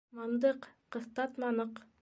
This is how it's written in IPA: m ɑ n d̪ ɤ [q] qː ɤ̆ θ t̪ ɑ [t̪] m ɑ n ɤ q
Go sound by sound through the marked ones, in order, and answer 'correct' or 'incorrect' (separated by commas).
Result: correct, correct